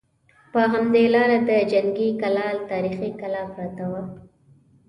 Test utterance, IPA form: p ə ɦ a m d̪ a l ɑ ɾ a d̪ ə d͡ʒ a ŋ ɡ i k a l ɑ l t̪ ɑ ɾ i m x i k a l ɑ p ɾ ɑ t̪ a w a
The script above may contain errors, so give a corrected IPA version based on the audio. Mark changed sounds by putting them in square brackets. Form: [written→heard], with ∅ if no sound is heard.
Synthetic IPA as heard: p ə ɦ a m d̪ [a→e] l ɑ ɾ a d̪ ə d͡ʒ a ŋ ɡ i k a l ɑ l t̪ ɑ ɾ i [m→∅] x i k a l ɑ p ɾ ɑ t̪ a w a